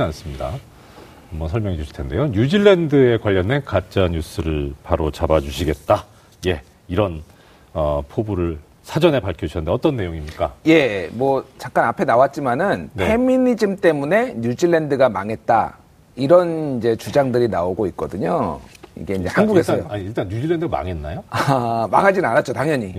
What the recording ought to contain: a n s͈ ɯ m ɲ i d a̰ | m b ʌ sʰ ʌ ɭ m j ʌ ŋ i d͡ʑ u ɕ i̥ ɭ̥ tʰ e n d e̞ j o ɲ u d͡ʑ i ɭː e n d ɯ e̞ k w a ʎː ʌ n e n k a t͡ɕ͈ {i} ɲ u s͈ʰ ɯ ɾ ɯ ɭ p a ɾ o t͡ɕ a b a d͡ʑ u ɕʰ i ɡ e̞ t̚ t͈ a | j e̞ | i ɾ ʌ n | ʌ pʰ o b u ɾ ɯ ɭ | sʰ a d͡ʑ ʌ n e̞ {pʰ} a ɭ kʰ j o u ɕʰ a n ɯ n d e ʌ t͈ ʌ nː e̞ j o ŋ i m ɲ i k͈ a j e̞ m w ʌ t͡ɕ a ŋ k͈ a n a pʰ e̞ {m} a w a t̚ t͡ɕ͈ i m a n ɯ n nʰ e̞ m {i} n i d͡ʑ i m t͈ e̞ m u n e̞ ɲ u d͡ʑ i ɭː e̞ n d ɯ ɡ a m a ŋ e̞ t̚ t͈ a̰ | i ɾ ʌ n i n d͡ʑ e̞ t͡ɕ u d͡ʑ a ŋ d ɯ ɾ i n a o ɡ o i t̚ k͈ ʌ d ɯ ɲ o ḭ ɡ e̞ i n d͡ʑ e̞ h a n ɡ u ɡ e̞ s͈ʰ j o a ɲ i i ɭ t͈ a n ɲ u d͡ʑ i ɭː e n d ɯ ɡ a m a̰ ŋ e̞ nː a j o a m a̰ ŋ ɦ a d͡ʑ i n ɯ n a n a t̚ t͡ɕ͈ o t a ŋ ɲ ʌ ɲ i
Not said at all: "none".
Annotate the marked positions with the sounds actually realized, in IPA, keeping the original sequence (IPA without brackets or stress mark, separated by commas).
a, p, n, i